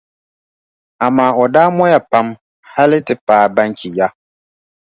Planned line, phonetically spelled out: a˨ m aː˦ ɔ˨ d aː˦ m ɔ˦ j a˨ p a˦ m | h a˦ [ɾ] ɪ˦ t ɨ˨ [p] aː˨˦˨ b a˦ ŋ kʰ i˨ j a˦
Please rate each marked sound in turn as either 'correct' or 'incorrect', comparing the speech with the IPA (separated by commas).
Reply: incorrect, correct